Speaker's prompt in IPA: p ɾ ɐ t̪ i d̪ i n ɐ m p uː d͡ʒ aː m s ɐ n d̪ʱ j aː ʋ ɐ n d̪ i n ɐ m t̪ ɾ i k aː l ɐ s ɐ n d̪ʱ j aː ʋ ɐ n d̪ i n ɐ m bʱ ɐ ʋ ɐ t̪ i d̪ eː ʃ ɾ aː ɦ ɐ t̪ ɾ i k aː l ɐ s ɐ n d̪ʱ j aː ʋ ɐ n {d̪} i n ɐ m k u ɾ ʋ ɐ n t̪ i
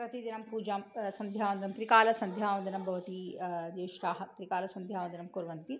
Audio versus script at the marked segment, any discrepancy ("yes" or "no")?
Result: no